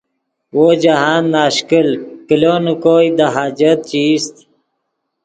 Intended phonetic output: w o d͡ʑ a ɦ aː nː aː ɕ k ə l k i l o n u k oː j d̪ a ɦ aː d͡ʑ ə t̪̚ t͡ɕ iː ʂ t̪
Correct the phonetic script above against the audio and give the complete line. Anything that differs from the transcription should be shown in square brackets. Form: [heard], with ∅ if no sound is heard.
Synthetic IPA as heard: w o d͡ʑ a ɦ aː nː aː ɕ k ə l k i l o n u k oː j d̪ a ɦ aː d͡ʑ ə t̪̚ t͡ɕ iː [s] t̪

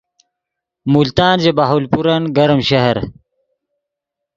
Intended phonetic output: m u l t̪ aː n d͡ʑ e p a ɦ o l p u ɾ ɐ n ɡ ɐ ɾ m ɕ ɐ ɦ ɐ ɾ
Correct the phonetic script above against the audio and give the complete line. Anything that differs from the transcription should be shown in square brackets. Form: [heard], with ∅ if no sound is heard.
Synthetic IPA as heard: m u l t̪ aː n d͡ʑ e [b] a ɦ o l p u ɾ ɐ n ɡ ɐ ɾ m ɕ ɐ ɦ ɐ ɾ

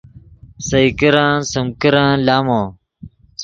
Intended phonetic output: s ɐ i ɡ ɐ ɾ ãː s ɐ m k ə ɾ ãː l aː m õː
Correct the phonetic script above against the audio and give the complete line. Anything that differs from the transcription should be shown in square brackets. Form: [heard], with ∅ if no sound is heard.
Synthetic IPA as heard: s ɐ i [k] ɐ ɾ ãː s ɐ m k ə ɾ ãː l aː m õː

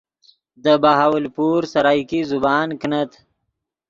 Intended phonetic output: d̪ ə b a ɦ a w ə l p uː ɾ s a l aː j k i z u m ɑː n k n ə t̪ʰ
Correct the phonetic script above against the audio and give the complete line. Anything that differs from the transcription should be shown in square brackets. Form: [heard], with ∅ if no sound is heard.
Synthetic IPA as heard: d̪ ə b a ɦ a w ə l p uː ɾ s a [ɾ] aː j k i z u [b] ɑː n k n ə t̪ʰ

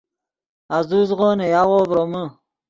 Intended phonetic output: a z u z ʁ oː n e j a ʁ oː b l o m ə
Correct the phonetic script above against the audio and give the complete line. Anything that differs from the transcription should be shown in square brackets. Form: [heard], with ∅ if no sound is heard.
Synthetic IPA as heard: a z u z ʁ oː n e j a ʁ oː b [ɾ] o m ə

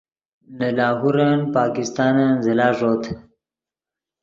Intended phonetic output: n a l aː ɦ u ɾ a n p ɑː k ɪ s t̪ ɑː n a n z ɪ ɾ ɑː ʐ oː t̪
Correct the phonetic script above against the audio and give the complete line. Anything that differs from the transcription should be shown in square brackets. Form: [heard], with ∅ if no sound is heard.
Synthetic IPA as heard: n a l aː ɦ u ɾ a n p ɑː k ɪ s t̪ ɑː n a n z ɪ [l] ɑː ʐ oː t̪

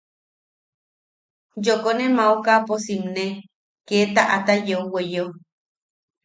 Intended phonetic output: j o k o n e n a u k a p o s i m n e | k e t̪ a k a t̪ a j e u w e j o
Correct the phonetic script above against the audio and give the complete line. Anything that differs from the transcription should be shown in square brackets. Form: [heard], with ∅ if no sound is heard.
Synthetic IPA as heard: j o k o n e [m] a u k a p o s i m n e | k e t̪ a [ʔ] a t̪ a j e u w e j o

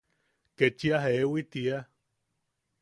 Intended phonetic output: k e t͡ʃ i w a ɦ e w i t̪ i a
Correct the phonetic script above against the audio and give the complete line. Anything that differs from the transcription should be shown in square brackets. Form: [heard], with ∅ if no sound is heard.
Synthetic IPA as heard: k e t͡ʃ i [∅] a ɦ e w i t̪ i a

